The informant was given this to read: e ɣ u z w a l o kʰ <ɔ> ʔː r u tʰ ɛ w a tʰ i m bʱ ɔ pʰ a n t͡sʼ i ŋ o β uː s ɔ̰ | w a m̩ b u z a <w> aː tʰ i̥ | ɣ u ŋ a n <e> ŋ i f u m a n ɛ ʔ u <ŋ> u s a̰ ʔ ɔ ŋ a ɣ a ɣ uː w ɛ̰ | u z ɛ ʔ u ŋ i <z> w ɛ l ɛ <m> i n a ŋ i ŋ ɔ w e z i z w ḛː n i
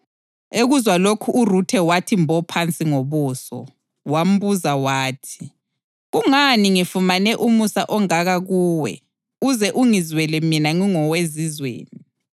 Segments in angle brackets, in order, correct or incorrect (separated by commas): incorrect, correct, incorrect, incorrect, correct, correct